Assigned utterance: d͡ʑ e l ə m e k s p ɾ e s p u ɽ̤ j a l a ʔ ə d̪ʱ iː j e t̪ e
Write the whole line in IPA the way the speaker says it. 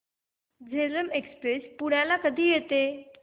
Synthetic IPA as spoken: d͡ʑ e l ə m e k s p ɾ e s p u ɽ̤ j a l a k ə d̪ʱ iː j e t̪ e